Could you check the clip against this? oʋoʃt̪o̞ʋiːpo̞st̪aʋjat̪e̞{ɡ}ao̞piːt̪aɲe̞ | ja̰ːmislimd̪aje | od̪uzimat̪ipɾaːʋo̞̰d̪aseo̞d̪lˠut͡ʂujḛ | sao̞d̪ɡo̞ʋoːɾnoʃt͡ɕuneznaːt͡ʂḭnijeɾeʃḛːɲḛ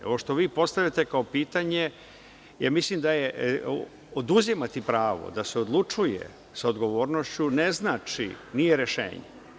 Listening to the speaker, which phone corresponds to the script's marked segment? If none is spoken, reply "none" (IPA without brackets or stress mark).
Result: k